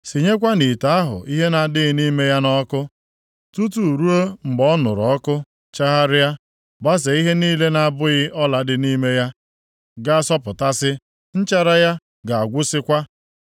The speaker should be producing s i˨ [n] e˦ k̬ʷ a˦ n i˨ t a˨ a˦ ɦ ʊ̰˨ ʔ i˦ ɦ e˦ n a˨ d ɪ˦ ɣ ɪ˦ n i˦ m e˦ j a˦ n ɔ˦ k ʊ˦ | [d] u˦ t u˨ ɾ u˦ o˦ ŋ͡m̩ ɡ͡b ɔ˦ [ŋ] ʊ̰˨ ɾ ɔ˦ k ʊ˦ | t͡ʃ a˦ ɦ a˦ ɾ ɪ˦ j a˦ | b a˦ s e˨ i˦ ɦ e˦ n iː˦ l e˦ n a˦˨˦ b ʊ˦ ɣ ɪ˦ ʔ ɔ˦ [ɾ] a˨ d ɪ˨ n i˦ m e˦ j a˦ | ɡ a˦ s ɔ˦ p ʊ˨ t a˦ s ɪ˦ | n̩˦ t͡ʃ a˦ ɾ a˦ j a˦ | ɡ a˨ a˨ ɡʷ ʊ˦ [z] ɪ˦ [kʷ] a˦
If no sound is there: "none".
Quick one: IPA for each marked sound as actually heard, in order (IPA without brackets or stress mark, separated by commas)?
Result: ɲ, t, n, l, s, kʷ